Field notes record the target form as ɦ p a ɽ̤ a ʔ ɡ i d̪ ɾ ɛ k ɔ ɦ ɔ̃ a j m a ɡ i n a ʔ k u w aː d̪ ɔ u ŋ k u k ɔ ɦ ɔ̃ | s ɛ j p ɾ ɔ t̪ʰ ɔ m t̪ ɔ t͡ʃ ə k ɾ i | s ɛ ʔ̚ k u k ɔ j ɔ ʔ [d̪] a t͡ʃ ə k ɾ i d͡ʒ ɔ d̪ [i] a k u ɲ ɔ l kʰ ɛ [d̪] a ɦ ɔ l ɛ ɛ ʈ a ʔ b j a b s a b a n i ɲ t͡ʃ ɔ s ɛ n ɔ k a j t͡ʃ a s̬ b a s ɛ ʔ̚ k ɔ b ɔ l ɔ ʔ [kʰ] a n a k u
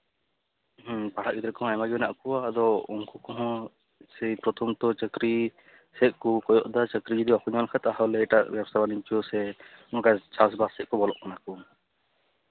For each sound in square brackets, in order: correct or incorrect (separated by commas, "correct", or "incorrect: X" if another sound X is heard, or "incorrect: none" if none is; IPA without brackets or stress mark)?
correct, correct, incorrect: t̪, incorrect: k